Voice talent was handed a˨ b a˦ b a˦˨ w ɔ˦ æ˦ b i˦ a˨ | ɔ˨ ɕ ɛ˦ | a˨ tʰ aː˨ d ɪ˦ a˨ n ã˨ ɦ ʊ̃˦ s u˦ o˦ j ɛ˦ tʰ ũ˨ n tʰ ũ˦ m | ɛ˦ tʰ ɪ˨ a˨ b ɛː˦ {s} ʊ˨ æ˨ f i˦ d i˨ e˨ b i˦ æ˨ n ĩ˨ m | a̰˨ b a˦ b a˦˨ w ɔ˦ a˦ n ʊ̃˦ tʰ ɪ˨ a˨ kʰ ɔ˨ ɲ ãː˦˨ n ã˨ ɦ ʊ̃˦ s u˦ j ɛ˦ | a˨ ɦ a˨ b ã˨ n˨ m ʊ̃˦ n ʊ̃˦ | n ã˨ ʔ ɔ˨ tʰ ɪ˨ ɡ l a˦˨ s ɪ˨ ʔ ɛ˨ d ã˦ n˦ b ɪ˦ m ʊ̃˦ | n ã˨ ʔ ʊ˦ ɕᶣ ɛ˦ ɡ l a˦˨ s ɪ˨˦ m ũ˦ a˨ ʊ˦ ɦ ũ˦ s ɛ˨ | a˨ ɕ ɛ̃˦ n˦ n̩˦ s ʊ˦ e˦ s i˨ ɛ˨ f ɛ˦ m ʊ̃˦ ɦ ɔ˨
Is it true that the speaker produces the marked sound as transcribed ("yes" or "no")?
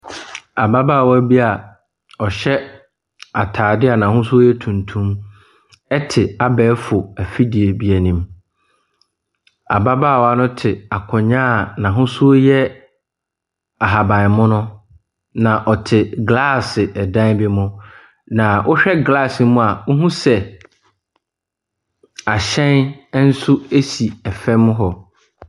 no